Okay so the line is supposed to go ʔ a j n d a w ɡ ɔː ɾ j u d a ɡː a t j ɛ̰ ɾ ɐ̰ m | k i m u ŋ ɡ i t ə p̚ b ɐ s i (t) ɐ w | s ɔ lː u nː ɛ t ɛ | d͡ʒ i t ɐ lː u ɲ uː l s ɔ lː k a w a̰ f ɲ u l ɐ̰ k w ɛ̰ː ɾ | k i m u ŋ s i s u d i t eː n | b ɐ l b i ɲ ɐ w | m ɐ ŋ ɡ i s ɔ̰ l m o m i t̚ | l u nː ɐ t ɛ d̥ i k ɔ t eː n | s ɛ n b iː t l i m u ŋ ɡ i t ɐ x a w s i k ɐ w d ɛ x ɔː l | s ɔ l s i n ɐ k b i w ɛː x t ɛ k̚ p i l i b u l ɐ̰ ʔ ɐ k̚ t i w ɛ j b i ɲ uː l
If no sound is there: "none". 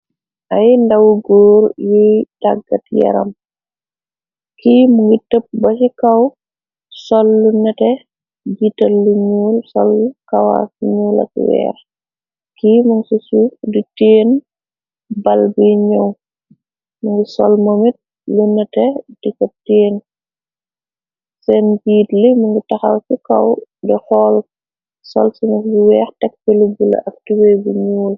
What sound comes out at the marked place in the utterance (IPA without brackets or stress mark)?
k